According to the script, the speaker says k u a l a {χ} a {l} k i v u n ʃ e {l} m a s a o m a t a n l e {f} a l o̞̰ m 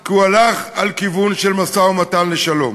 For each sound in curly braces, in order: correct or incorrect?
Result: correct, correct, correct, incorrect: ʃ

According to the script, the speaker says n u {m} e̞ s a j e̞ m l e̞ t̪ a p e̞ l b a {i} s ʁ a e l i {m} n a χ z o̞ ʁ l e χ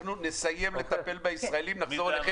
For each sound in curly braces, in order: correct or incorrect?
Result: incorrect: n, correct, correct

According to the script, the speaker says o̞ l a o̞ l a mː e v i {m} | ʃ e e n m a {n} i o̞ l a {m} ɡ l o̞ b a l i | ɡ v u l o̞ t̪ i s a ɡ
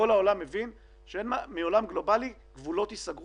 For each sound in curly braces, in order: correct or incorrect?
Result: incorrect: n, incorrect: m, correct

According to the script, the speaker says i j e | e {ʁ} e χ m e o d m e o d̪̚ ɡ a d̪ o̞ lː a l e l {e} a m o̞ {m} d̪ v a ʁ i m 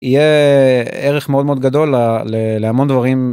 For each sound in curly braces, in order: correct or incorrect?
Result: correct, correct, incorrect: n

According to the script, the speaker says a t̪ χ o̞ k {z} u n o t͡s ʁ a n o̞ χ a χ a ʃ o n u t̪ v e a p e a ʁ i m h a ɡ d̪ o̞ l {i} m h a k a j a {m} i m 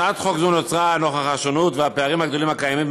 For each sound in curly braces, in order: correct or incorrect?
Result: correct, correct, correct

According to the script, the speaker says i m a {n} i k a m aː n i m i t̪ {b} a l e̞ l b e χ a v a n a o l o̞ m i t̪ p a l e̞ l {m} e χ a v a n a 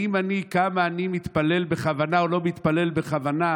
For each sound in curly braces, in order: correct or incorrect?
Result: correct, incorrect: p, incorrect: b

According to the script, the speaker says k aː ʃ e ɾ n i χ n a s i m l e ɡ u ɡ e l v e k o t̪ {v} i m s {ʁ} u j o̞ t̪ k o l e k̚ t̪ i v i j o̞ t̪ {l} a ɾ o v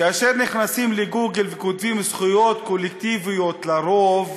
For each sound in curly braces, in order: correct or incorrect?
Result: correct, incorrect: χ, correct

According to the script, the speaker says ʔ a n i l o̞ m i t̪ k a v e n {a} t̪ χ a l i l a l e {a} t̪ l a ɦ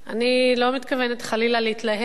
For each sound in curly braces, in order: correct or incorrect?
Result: incorrect: e, incorrect: i

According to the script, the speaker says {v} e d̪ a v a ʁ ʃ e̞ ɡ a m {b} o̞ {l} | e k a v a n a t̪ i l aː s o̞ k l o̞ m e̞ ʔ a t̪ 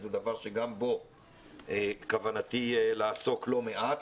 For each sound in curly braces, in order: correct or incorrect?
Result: incorrect: z, correct, incorrect: none

